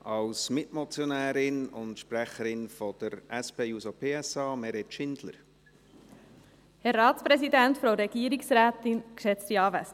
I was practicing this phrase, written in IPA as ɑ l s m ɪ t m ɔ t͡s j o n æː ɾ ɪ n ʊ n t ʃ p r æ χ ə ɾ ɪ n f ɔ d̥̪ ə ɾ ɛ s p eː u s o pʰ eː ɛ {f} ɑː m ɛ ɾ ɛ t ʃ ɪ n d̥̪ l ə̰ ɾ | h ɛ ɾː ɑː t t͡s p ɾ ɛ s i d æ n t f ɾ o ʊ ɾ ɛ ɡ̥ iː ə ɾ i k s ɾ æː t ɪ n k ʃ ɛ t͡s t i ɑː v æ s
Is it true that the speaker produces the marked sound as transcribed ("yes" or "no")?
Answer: no